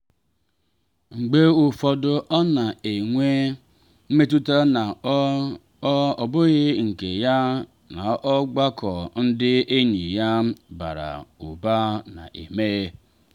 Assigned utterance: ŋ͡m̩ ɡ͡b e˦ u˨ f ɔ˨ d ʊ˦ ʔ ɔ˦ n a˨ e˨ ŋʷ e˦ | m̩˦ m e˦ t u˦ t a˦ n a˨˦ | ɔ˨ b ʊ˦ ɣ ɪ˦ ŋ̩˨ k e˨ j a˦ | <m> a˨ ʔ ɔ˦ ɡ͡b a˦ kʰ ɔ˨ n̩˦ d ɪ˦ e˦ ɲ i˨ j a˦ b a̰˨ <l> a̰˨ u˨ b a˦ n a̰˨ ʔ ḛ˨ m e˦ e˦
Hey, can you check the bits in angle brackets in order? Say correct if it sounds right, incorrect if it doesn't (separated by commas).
incorrect, incorrect